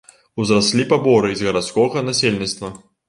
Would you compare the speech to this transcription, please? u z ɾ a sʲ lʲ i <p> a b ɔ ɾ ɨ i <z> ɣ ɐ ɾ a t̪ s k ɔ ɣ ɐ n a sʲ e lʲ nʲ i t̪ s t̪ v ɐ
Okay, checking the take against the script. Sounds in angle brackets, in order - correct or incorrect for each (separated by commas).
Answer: correct, correct